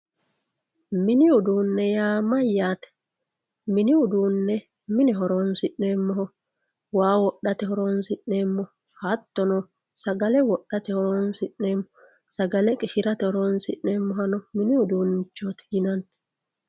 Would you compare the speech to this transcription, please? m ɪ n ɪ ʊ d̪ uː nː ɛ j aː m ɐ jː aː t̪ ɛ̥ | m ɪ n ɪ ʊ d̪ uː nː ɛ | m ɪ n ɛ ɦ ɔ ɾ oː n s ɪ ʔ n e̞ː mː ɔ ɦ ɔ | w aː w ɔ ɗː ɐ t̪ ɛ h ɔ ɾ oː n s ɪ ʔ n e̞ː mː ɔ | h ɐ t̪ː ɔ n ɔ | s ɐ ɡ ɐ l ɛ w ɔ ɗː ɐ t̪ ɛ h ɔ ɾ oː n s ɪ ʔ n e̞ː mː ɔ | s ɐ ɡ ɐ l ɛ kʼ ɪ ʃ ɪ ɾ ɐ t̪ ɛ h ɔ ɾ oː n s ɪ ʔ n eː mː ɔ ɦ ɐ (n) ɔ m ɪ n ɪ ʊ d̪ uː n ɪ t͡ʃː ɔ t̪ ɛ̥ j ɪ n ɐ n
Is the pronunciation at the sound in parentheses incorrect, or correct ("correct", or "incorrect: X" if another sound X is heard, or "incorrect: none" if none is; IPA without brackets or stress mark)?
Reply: correct